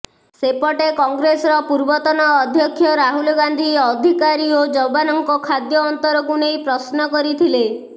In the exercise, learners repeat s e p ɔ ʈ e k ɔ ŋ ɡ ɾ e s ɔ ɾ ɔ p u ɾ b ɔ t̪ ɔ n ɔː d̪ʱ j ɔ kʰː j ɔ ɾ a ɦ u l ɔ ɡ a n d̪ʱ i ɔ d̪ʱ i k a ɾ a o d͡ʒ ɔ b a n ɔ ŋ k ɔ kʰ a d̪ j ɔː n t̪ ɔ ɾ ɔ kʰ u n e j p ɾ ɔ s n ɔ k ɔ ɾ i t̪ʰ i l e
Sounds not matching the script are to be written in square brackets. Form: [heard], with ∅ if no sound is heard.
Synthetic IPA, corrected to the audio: s e p ɔ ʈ e k ɔ ŋ ɡ ɾ e s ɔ ɾ ɔ p u ɾ b ɔ t̪ ɔ n ɔː d̪ʱ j ɔ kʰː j ɔ ɾ a ɦ u l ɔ ɡ a n d̪ʱ i ɔ d̪ʱ i k a ɾ [i] o d͡ʒ ɔ b a n ɔ ŋ k ɔ kʰ a d̪ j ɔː n t̪ ɔ ɾ ɔ [k] u n e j p ɾ ɔ s n ɔ k ɔ ɾ i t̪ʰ i l e

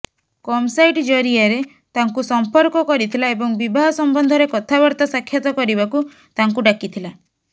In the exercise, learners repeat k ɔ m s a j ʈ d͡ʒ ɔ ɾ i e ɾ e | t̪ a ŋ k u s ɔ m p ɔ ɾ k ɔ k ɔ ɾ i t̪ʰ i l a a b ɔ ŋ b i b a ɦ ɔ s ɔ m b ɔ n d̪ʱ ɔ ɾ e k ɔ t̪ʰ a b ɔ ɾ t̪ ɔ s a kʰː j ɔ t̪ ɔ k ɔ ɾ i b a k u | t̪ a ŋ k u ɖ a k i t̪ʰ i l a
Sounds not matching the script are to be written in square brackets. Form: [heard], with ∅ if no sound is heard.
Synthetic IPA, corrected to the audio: k ɔ m s a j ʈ d͡ʒ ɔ ɾ i [a] ɾ e | t̪ a ŋ k u s ɔ m p ɔ ɾ k ɔ k ɔ ɾ i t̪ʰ i l a [e] b ɔ ŋ b i b a ɦ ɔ s ɔ m b ɔ n d̪ʱ ɔ ɾ e k ɔ t̪ʰ a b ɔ ɾ t̪ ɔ s a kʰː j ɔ t̪ ɔ k ɔ ɾ i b a k u | t̪ a ŋ k u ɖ a k i t̪ʰ i l a

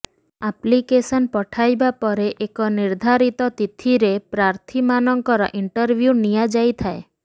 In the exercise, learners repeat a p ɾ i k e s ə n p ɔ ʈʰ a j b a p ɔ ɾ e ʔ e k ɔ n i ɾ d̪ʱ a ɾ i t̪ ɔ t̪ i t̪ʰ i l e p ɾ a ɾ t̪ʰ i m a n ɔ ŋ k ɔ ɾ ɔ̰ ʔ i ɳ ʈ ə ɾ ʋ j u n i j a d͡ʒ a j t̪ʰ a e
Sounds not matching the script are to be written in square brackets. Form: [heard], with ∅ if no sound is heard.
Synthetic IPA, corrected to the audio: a p [l] i k e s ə n p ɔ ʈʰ a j b a p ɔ ɾ e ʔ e k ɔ n i ɾ d̪ʱ a ɾ i t̪ ɔ t̪ i t̪ʰ i [ɾ] e p ɾ a ɾ t̪ʰ i m a n ɔ ŋ k ɔ ɾ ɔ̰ ʔ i ɳ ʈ ə ɾ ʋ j u n i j a d͡ʒ a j t̪ʰ a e

